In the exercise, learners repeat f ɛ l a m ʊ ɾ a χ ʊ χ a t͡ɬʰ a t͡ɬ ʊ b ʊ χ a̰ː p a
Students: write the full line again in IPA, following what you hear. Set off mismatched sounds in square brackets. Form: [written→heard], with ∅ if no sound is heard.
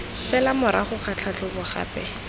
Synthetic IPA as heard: f ɛ l a m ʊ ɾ a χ ʊ χ a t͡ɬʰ a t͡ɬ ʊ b ʊ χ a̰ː p [a→ɛ]